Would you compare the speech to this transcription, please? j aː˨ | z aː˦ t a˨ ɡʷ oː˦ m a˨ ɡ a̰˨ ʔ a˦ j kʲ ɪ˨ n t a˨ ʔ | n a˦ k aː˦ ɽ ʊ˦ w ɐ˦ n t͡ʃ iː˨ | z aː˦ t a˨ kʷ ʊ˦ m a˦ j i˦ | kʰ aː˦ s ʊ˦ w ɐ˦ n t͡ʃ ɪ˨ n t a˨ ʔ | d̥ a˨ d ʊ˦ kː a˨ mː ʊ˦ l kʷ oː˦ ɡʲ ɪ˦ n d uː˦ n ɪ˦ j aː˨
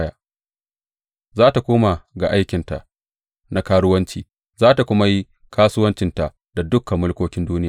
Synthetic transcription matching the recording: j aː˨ | z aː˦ t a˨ kʷ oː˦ m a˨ ɡ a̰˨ ʔ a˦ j kʲ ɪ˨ n t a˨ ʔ | n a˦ k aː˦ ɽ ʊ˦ w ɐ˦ n t͡ʃ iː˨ | z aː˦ t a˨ kʷ ʊ˦ m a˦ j i˦ | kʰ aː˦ s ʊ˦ w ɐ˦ n t͡ʃ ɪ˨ n t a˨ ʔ | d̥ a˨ d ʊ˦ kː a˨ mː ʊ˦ l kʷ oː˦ kʲ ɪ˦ n d uː˦ n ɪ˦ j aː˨